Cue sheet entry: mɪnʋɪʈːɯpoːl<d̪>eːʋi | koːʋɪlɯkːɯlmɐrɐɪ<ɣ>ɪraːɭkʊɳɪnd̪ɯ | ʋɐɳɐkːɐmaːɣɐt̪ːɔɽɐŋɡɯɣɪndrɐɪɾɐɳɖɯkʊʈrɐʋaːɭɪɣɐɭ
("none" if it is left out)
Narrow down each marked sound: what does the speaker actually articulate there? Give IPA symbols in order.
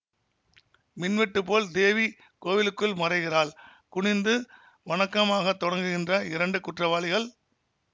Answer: d̪, ɣ

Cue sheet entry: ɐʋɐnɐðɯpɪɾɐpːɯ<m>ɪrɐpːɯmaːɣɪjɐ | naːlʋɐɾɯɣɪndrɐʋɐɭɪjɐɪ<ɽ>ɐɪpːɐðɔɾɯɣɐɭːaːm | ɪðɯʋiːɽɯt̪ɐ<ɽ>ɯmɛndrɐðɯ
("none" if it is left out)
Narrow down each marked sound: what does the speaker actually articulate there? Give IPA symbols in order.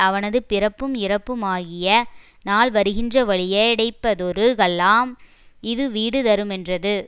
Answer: m, ɽ, ɾ

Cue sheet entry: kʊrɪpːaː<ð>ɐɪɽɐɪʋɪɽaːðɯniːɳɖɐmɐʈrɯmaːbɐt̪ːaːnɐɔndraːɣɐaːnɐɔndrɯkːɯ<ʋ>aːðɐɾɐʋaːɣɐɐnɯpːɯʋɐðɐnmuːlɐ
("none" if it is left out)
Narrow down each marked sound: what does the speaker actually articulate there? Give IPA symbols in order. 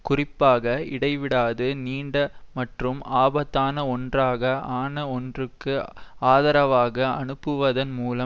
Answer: ɣ, none

